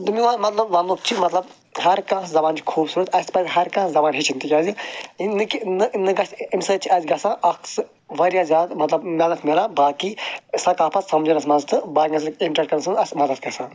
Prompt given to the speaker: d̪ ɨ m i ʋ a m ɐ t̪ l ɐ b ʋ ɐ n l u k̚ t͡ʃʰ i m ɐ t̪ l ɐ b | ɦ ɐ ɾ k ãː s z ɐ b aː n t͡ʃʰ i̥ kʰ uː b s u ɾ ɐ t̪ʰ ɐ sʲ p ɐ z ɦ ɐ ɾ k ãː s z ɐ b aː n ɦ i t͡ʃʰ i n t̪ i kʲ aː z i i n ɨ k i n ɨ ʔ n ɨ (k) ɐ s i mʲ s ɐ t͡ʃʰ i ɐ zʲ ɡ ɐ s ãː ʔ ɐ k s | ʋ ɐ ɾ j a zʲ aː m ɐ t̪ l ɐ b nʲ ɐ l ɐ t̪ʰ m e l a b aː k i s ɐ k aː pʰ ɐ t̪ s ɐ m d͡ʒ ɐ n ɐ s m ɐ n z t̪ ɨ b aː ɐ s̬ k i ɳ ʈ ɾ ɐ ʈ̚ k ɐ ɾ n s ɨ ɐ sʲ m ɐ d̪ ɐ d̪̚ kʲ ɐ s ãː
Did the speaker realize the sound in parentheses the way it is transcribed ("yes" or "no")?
no